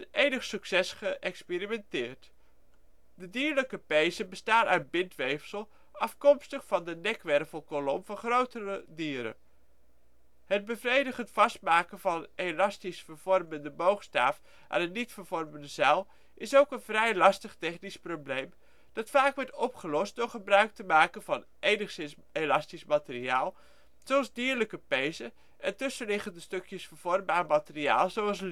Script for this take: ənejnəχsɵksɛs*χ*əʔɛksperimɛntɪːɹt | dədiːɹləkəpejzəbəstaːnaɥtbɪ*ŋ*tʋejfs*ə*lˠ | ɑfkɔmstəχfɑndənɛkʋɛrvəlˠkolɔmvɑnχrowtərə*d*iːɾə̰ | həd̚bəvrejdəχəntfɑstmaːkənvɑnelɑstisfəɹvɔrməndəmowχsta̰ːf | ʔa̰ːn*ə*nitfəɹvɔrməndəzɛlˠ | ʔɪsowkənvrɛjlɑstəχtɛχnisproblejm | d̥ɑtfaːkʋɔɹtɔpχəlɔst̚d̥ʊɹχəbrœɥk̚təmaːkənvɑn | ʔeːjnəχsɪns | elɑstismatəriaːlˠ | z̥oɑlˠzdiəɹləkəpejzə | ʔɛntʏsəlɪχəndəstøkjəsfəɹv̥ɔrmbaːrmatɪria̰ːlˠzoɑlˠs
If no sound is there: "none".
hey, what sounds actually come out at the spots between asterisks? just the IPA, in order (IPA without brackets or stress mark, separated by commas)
χ, n, ə, d, ə